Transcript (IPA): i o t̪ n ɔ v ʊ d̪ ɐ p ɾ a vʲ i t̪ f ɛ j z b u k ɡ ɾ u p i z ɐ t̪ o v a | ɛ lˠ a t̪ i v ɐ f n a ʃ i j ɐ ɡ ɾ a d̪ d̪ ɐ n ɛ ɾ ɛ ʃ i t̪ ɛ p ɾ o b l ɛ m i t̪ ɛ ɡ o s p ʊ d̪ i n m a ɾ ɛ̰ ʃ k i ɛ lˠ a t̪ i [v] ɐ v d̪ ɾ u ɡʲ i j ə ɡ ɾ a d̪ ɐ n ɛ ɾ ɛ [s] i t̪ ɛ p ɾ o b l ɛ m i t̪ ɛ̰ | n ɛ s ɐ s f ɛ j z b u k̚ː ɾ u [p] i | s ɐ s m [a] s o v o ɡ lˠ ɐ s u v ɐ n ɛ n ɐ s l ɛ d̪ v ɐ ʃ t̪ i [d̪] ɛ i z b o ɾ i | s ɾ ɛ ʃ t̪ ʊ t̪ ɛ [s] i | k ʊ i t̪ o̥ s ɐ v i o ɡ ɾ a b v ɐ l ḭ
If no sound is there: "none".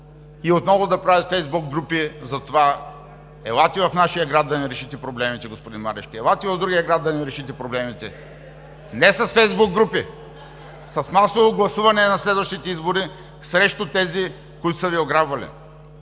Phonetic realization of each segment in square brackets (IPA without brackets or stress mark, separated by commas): v, ʃ, p, a, t̪, z